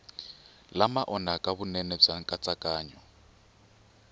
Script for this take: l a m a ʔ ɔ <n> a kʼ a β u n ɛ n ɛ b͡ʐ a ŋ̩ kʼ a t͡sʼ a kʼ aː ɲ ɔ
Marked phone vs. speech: correct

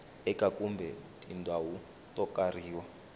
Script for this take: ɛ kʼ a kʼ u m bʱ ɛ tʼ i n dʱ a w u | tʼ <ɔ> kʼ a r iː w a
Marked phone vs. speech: correct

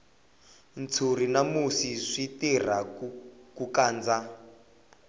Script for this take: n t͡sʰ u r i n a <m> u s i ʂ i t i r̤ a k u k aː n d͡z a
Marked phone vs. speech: correct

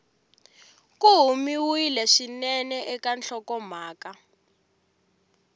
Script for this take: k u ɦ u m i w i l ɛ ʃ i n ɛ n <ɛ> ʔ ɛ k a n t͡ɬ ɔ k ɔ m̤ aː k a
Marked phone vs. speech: correct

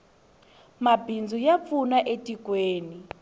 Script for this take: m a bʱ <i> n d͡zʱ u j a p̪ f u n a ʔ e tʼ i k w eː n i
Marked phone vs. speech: correct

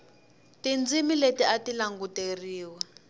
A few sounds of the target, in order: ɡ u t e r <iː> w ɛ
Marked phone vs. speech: correct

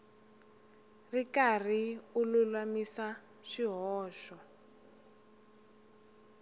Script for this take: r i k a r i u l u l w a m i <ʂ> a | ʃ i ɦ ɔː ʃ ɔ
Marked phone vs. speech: incorrect: s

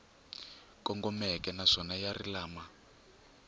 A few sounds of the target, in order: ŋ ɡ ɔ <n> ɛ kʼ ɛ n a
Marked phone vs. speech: incorrect: m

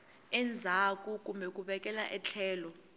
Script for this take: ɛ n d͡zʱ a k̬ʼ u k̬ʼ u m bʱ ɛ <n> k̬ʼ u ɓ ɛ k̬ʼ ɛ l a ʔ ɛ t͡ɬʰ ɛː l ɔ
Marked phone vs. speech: incorrect: none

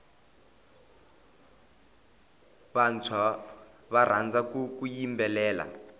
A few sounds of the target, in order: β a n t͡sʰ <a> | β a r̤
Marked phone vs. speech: correct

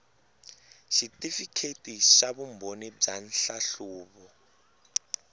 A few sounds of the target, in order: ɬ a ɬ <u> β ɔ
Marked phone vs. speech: incorrect: uː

